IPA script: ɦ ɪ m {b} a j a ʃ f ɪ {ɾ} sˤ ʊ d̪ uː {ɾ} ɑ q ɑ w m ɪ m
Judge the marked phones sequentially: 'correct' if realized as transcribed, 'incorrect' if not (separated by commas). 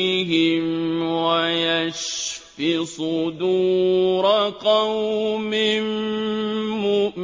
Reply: incorrect, incorrect, correct